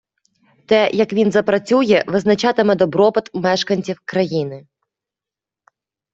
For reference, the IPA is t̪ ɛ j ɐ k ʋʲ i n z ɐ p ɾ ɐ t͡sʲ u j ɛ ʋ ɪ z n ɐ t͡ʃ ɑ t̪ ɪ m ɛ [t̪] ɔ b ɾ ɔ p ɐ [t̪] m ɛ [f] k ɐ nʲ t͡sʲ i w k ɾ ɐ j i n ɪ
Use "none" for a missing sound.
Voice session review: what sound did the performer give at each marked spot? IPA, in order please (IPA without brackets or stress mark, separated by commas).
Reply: d̪, t̪, ʃ